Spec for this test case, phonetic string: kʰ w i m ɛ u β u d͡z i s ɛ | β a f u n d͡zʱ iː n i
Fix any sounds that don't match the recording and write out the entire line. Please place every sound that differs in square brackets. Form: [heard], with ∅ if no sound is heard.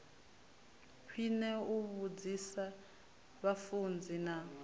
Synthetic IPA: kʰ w i [n] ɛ u β u d͡z i s [a] | β a f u n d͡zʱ [i] n [a]